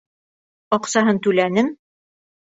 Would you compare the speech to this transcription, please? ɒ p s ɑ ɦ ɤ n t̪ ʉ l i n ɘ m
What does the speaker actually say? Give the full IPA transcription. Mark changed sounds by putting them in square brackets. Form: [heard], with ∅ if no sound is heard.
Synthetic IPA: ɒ [q] s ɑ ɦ ɤ n t̪ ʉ l [æ] n ɘ m